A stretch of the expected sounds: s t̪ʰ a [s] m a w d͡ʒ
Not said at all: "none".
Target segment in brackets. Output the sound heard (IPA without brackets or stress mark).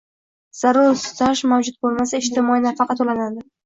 ʃ